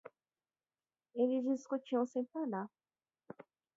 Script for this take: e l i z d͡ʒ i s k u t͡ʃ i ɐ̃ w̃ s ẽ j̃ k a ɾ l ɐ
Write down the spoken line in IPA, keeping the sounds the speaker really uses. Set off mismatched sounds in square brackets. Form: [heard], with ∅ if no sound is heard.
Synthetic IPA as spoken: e l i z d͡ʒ i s k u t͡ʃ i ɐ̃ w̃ s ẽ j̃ [p] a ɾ l [a]